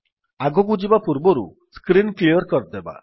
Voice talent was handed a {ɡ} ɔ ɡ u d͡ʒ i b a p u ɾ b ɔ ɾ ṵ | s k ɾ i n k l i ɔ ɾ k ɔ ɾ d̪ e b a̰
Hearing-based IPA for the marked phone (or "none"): ɡ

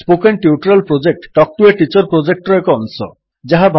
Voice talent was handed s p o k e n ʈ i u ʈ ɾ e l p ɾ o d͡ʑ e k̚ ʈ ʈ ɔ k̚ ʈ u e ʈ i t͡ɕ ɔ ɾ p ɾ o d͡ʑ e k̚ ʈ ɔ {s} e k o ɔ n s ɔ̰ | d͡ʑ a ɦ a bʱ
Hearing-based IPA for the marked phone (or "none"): none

